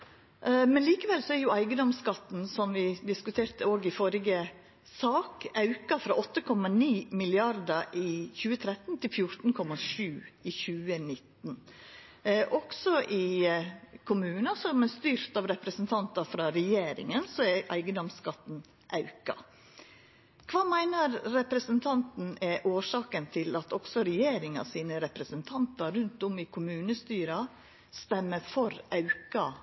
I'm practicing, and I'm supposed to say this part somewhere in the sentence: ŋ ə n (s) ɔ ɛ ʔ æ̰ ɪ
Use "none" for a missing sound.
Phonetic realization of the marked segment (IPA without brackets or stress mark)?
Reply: s